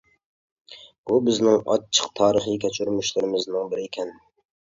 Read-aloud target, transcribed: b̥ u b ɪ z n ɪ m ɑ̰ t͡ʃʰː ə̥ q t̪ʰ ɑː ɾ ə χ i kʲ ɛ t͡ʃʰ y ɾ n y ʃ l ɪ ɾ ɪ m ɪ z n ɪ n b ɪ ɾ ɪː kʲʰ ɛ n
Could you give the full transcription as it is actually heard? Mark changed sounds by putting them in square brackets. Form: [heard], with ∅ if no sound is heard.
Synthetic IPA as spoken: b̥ u b ɪ z n ɪ [ŋ] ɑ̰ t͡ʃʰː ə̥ q t̪ʰ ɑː ɾ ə χ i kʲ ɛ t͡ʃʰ y ɾ [m] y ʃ l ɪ ɾ ɪ m ɪ z n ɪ [ŋ] b ɪ ɾ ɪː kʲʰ ɛ n